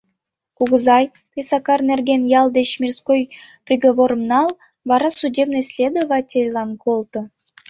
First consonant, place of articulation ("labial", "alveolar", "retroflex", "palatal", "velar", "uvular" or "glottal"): velar